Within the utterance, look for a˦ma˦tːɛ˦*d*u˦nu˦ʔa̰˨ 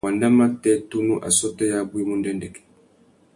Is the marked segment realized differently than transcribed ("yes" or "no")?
yes